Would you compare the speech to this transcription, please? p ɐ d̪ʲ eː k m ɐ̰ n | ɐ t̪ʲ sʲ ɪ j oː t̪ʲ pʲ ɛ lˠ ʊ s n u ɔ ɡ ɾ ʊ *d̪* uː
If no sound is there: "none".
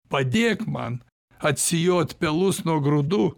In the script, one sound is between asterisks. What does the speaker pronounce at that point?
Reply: d̪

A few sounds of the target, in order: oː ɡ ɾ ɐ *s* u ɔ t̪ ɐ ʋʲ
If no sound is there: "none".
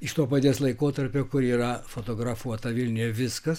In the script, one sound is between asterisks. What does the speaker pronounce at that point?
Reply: f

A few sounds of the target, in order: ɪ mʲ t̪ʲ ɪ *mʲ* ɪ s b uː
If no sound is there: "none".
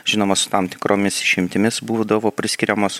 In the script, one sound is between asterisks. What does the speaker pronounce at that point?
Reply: mʲ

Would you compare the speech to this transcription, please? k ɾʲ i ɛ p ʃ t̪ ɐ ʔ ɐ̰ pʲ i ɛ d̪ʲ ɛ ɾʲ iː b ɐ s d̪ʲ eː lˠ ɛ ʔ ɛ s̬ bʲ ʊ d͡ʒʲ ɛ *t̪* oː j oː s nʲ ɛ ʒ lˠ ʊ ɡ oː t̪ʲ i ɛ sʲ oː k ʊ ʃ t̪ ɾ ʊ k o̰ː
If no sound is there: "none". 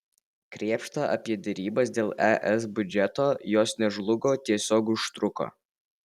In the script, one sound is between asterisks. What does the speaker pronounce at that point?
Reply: t̪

